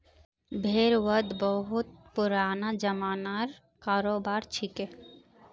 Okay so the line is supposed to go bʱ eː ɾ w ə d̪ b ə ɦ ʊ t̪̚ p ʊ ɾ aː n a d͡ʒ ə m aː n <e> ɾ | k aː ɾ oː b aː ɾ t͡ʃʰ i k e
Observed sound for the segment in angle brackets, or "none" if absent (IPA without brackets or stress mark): a